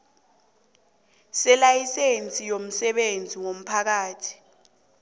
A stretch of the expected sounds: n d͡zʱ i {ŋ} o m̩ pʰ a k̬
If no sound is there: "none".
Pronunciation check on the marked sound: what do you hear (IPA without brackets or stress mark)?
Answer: ŋ